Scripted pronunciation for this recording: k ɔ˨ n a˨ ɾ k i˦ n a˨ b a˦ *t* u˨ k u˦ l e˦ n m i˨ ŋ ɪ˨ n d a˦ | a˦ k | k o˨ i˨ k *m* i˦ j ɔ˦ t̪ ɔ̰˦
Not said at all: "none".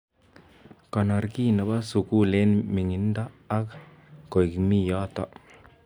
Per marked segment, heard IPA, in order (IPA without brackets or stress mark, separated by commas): s, m